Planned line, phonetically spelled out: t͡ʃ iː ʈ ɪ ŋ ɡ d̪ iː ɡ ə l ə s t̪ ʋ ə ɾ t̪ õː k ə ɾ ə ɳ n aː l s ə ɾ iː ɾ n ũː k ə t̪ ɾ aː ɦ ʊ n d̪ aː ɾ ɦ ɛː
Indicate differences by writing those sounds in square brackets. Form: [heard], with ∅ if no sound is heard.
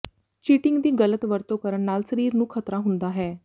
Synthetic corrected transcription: t͡ʃ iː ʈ ɪ ŋ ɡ d̪ iː ɡ ə l ə [∅] t̪ ʋ ə ɾ t̪ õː k ə ɾ ə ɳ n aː l s ə ɾ iː ɾ n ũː [kʰ] ə t̪ ɾ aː ɦ ʊ n d̪ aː [∅] ɦ ɛː